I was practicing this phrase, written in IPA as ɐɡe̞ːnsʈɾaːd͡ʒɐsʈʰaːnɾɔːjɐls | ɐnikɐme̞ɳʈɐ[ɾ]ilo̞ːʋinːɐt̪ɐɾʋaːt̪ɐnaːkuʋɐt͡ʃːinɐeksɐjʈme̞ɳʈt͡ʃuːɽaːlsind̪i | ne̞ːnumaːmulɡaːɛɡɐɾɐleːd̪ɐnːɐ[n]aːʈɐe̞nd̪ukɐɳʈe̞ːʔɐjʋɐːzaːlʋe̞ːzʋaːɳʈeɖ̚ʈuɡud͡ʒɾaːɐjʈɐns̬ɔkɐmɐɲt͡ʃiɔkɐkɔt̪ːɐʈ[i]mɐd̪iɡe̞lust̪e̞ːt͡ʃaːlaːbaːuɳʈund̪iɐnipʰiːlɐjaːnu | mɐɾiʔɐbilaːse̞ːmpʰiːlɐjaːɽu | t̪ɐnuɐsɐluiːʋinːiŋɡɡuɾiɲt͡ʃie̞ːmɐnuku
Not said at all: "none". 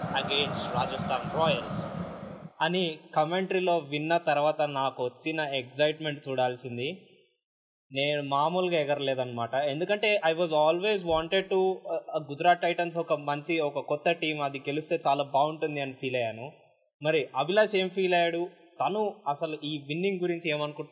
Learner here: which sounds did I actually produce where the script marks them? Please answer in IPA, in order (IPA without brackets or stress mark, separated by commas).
ɾ, m, iː